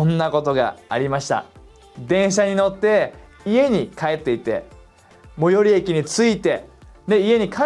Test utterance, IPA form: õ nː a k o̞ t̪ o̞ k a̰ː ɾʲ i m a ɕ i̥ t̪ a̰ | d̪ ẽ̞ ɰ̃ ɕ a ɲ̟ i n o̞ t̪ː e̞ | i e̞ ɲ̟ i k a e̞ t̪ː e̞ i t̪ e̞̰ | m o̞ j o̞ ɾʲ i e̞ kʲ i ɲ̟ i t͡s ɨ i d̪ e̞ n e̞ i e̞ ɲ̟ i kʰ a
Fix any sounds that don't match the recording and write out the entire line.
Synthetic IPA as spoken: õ nː a k o̞ t̪ o̞ ɡ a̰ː ɾʲ i m a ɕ i̥ t̪ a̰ | d̪ ẽ̞ ɰ̃ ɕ a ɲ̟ i n o̞ t̪ː e̞ | i e̞ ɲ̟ i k a e̞ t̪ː e̞ i t̪ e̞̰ | m o̞ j o̞ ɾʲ i e̞ kʲ i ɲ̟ i t͡s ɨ i t̪ e̞ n e̞ i e̞ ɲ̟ i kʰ a